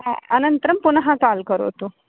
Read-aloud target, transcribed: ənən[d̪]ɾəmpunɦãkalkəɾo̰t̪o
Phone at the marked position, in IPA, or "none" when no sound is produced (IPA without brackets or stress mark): t̪